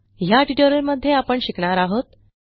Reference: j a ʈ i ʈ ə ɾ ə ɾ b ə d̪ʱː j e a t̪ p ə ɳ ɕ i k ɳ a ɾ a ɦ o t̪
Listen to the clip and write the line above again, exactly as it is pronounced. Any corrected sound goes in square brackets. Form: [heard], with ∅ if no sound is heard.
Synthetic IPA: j a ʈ i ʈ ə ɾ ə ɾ [m] ə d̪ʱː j e a [∅] p ə ɳ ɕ i k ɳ a ɾ a ɦ o t̪

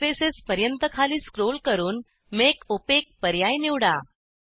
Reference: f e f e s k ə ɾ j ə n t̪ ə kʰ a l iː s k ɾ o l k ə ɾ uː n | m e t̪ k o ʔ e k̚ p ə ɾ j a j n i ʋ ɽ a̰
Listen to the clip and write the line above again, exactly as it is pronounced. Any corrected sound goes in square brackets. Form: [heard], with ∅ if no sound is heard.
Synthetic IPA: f e [s] e s [p] ə ɾ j ə n t̪ ə kʰ a l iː s k ɾ o l k ə ɾ uː n | m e [∅] k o [p] e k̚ p ə ɾ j a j n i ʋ ɽ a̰

